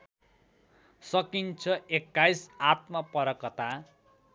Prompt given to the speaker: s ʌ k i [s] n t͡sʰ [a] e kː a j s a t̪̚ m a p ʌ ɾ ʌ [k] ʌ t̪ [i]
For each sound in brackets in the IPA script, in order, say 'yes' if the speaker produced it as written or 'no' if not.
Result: no, no, yes, no

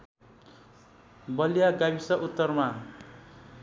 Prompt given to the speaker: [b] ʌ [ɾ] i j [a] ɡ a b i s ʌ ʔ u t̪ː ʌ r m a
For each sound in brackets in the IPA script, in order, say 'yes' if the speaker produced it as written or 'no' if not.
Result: yes, no, yes

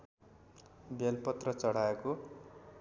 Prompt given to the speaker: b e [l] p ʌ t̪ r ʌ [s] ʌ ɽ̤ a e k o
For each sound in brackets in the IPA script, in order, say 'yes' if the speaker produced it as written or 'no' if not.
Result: yes, no

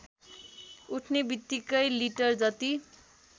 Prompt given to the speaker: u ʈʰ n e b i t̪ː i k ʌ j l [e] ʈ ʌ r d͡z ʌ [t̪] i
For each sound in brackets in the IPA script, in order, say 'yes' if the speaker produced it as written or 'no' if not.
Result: no, yes

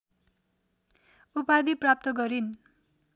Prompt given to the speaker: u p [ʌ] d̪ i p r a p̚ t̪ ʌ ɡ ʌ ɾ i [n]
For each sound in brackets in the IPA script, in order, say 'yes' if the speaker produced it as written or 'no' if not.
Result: no, yes

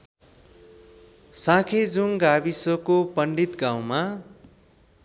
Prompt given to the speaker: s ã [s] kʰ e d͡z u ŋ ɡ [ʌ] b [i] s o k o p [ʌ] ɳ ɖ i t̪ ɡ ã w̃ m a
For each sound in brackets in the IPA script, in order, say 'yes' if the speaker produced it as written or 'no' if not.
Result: no, no, yes, yes

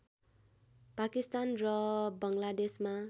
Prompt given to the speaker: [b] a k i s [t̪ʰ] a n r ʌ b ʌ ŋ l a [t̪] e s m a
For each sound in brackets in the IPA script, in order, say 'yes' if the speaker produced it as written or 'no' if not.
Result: no, no, no

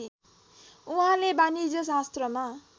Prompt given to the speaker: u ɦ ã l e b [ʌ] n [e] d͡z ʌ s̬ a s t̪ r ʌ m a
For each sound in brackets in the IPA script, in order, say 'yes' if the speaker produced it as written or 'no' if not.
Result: no, no

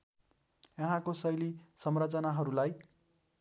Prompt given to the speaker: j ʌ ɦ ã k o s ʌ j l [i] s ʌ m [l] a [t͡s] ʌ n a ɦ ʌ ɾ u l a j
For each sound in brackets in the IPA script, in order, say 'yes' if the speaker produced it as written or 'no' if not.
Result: yes, no, yes

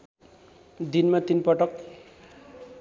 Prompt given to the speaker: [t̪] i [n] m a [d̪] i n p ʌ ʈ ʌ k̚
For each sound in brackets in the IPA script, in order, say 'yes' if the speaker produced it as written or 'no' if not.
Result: no, yes, no

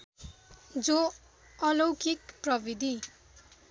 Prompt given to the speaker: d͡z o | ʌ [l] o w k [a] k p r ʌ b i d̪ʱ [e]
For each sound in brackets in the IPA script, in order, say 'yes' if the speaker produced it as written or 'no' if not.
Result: yes, no, no

